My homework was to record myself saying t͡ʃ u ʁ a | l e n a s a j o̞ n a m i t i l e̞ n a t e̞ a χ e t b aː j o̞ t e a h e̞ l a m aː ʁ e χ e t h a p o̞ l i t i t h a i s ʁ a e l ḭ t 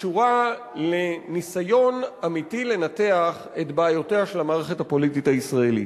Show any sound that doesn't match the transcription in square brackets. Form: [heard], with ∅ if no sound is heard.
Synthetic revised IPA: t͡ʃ u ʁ a | l e n [i] s a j o̞ n a m i t i l e̞ n a t e̞ a χ e t b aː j o̞ t e a [ʃ] e̞ l a m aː ʁ e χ e t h a p o̞ l i t i t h a i s ʁ a e l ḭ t

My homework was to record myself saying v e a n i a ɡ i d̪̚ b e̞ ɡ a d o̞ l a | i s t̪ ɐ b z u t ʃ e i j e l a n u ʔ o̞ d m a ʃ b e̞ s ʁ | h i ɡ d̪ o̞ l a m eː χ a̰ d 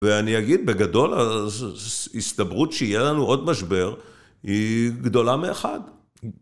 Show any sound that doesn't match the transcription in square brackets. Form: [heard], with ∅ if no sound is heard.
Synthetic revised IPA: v e a n i a ɡ i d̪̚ b e̞ ɡ a d o̞ l a | i s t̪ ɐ b [ʁ] u t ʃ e i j e l a n u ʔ o̞ d m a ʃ b e̞ [∅] ʁ | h i ɡ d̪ o̞ l a m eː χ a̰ d

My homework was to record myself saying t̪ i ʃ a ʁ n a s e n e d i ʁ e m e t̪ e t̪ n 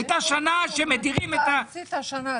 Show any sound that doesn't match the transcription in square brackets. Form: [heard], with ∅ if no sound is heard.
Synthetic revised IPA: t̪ [a] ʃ a [∅] n a [ʃ] e [m] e d i ʁ [i] m e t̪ [a] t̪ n

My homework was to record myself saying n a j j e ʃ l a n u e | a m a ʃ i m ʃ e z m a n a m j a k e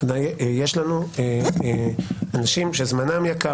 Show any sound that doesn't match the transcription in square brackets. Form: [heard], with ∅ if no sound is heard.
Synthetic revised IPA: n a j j e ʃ l a n u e | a [n] a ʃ i m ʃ e z m a n a m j a k [a]

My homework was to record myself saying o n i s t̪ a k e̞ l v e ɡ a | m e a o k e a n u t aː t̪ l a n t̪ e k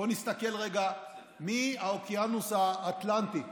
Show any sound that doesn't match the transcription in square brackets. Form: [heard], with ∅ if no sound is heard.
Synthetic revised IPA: o n i s t̪ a k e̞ l [ʁ] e ɡ a | m [i] a o k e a n u [s] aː t̪ l a n t̪ [i] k

